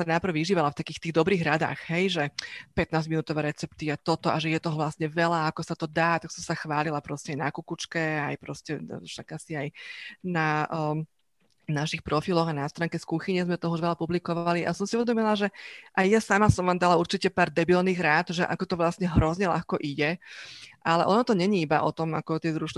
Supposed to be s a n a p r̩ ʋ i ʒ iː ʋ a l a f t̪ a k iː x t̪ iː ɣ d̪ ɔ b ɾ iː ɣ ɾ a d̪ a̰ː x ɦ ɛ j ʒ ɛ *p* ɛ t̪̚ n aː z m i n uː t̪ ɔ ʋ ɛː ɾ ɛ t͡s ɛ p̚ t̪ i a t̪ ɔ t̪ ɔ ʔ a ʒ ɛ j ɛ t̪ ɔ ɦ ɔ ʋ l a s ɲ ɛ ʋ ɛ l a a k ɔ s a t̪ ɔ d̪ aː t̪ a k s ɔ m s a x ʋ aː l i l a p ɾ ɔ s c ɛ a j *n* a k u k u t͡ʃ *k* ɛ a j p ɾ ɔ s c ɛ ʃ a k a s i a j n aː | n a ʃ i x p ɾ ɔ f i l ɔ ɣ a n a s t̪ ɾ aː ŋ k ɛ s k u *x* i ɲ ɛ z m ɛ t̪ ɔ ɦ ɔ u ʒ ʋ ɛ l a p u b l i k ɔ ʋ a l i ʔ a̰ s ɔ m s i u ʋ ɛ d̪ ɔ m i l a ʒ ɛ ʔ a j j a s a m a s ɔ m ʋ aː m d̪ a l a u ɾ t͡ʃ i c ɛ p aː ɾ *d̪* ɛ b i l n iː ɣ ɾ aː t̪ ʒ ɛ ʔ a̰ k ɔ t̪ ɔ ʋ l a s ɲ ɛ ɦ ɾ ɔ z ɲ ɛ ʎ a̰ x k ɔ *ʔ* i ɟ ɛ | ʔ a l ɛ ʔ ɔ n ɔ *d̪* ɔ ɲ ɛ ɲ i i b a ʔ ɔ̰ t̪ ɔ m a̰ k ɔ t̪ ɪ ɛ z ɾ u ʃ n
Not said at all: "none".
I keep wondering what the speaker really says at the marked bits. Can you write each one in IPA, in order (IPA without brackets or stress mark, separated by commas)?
p, n, k, x, d̪, ʔ, t̪